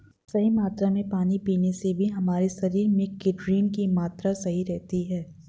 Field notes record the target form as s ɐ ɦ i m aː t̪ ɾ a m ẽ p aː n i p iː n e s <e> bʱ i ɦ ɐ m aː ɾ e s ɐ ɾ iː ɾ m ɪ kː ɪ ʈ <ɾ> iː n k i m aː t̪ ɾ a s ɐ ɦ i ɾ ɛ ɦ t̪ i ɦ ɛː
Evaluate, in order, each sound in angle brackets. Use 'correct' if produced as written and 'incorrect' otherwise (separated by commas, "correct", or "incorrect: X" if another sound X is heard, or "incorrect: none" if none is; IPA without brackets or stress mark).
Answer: correct, correct